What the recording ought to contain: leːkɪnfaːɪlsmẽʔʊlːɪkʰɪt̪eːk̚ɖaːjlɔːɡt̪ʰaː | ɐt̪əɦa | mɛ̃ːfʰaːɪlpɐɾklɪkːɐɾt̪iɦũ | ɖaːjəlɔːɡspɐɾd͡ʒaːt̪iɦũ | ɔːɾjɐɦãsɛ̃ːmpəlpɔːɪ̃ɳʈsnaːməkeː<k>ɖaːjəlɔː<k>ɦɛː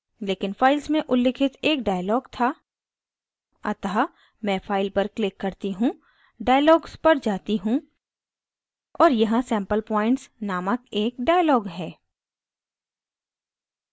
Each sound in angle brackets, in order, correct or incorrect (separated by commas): correct, incorrect